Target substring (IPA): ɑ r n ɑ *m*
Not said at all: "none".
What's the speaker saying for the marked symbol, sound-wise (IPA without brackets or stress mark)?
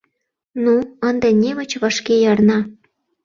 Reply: none